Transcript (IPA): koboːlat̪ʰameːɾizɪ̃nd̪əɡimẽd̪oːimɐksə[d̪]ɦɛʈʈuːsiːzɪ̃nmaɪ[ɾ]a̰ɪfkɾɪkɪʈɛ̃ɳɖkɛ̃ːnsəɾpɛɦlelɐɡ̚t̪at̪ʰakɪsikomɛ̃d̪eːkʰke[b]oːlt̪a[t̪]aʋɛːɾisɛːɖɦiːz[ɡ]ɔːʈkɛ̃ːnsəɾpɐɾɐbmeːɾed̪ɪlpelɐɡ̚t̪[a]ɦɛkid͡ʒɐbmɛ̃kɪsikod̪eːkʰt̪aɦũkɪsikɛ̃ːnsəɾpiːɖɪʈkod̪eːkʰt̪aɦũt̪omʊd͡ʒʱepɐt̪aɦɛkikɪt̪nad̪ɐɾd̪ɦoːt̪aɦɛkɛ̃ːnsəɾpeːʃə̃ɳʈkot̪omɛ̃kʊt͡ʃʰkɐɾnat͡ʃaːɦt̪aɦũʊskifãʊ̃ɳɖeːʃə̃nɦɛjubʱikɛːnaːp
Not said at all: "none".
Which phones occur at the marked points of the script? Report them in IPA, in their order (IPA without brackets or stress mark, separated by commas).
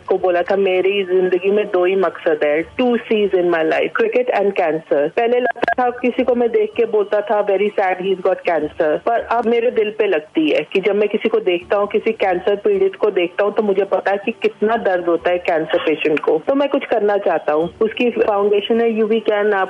d̪, l, b, t̪ʰ, ɡ, i